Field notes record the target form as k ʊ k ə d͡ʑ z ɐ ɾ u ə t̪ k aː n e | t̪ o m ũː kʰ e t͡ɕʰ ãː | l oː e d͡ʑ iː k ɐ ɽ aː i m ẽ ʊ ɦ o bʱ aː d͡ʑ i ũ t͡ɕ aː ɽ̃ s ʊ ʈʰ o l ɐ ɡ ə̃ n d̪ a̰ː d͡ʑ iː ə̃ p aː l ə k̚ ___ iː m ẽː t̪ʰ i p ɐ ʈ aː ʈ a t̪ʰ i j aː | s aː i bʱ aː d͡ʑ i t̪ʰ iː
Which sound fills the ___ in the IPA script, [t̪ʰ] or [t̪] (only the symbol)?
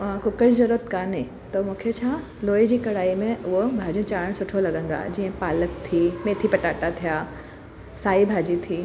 t̪ʰ